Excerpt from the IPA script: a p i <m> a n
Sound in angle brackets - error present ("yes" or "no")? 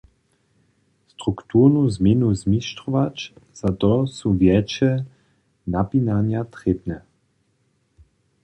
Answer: yes